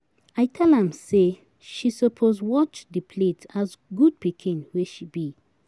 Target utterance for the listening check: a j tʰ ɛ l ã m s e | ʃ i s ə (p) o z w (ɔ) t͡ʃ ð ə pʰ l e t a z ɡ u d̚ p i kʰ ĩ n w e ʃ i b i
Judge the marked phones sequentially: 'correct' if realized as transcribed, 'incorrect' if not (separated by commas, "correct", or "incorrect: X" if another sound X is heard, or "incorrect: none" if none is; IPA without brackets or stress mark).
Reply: incorrect: pʰ, correct